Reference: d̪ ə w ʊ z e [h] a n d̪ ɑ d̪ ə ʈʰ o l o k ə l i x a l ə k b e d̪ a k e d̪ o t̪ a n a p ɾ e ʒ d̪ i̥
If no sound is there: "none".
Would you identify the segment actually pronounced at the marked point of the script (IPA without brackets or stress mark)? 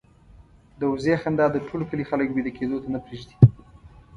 x